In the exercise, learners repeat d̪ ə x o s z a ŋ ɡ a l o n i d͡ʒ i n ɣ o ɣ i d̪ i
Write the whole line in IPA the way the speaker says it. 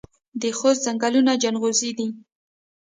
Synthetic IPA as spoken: d̪ ə x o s z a ŋ ɡ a l u n a d͡ʒ a n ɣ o z i d̪ i